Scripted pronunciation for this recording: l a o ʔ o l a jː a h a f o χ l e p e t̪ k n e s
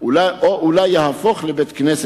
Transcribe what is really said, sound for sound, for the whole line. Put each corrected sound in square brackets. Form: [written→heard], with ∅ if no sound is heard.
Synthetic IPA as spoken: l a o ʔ [o→u] l a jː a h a f o χ l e [p→b] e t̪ k n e s